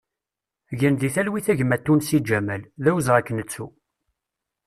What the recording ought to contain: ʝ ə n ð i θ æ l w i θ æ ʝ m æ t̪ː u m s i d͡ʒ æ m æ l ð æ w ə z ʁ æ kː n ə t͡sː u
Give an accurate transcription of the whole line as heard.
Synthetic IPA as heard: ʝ ə n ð i θ æ l w i θ æ ʝ m æ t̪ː u n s i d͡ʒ æ m æ l ð æ w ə z ʁ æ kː n ə t͡sː u